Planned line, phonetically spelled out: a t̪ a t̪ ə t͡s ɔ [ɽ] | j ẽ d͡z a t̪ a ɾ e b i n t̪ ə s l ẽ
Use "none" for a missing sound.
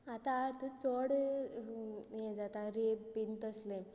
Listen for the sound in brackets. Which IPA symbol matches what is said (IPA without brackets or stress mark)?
ɽ